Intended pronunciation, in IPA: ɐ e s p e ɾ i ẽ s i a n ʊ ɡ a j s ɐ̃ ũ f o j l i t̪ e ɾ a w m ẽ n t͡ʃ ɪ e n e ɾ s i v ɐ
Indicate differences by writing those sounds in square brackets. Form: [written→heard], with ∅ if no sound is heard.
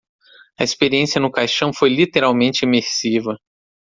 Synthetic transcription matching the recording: ɐ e s p e ɾ i ẽ s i [a→ɐ] n ʊ [ɡ→k] a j [s→ʃ] ɐ̃ [ũ→w̃] f o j l i t̪ e ɾ a w m ẽ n t͡ʃ ɪ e [n→m] e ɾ s i v ɐ